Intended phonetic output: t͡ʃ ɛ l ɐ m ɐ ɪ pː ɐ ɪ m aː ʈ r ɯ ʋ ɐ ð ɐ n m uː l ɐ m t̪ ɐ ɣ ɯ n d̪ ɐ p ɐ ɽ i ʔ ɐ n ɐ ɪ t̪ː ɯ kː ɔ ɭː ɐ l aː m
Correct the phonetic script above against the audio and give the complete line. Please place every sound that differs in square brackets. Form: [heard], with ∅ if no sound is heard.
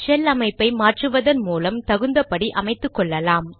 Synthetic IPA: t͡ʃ ɛ l ɐ m ɐ ɪ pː ɐ ɪ m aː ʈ r ɯ ʋ ɐ ð ɐ n m uː l ɐ m t̪ ɐ ɣ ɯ n d̪ ɐ p ɐ ɽ i ʔ ɐ [m] ɐ ɪ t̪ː ɯ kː ɔ ɭː ɐ l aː m